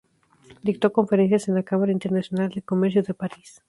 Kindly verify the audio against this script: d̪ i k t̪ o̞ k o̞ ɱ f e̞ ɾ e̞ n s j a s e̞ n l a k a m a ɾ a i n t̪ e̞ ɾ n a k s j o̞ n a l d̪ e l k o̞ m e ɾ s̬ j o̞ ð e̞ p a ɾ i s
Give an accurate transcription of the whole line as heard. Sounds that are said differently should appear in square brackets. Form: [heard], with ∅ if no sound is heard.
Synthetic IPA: d̪ i k t̪ o̞ k o̞ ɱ f e̞ ɾ e̞ n s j a s e̞ n l a k a m a ɾ a i n t̪ e̞ ɾ n a [∅] s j o̞ n a l d̪ e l k o̞ m e ɾ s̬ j o̞ ð e̞ p a ɾ i s